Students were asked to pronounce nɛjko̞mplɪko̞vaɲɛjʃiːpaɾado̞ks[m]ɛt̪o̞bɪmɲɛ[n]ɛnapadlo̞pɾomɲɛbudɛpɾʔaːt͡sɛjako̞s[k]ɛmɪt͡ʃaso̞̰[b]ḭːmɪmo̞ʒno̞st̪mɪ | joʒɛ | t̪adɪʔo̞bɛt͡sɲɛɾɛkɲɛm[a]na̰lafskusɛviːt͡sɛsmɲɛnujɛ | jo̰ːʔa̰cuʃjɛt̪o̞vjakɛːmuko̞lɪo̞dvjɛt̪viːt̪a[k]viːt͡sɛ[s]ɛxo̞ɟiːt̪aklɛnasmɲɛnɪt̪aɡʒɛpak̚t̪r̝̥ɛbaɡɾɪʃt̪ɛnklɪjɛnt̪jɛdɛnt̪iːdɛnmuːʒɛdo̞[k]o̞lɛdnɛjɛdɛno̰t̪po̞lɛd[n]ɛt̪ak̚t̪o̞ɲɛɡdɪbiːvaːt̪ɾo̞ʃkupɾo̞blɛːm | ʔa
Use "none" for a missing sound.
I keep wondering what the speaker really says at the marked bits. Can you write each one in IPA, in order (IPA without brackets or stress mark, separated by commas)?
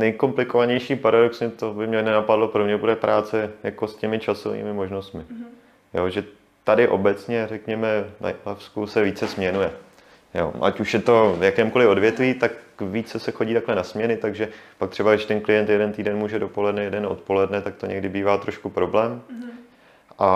ɲ, n, c, v, ɛ, k, s, p, n